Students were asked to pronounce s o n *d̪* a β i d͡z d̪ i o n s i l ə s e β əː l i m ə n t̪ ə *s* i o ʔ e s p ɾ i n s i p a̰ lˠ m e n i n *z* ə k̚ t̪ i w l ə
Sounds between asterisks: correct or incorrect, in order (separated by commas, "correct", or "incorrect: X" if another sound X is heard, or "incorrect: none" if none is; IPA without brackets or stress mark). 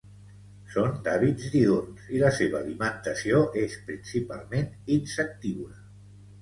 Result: correct, correct, incorrect: s